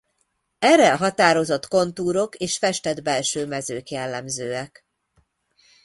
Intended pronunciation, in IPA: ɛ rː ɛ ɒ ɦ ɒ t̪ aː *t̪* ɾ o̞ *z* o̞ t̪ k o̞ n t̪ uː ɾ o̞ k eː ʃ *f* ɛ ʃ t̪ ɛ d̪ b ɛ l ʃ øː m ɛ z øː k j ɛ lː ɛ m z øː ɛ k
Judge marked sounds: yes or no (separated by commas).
no, yes, yes